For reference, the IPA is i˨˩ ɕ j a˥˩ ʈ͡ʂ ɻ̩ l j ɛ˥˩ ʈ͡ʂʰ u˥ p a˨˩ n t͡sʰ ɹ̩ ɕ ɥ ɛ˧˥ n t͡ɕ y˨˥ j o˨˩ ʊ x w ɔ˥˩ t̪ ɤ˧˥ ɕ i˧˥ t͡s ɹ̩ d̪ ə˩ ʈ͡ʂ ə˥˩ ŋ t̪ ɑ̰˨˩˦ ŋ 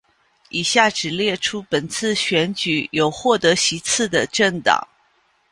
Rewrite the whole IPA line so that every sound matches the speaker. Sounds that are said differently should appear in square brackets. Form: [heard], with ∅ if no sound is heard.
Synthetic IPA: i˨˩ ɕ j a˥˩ ʈ͡ʂ ɻ̩ l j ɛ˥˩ ʈ͡ʂʰ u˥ p [ə˨˩] n t͡sʰ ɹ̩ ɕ ɥ ɛ˧˥ n t͡ɕ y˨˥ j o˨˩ ʊ x w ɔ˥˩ t̪ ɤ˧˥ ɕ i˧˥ [t͡sʰ] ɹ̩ d̪ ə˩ ʈ͡ʂ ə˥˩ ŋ t̪ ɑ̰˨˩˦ ŋ